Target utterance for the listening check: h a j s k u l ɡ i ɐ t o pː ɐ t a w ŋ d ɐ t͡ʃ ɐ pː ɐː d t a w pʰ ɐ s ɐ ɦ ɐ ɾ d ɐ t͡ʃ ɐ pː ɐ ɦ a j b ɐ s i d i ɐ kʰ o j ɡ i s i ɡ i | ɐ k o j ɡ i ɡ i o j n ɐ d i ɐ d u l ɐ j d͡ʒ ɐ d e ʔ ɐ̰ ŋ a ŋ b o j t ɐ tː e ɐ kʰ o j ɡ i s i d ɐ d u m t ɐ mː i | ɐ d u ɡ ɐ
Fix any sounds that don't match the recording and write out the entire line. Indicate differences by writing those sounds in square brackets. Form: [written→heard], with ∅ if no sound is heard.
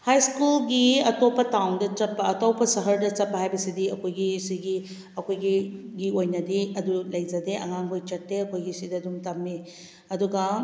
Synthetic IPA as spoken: h a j s k u l ɡ i ɐ t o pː ɐ t a w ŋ d ɐ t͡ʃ ɐ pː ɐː [d→∅] t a w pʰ ɐ s ɐ ɦ ɐ ɾ d ɐ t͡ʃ ɐ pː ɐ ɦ a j b ɐ s i d i ɐ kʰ o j ɡ i s i ɡ i | ɐ k o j ɡ i ɡ i o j n ɐ d i ɐ d u l ɐ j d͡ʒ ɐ d e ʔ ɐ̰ ŋ a ŋ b o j [t→t͡ʃ] ɐ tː e ɐ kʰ o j ɡ i s i d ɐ d u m t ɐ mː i | ɐ d u ɡ ɐ